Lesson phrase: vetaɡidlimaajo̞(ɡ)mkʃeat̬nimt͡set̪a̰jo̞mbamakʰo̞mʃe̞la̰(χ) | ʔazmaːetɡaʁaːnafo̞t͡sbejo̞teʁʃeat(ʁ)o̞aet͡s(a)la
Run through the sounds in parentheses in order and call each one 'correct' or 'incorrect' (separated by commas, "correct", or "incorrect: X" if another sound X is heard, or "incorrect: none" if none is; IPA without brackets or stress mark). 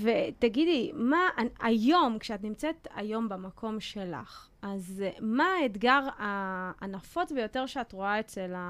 incorrect: none, correct, correct, incorrect: e